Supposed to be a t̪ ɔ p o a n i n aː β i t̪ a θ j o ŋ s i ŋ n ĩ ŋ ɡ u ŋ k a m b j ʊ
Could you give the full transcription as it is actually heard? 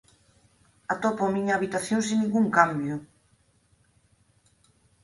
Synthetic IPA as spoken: a t̪ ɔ p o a m i ɲ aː β i t̪ a θ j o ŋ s i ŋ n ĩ ŋ ɡ u ŋ k a m b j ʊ